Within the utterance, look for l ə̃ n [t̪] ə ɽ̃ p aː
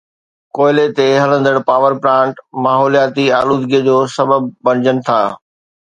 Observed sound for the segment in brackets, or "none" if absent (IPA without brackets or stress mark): d̪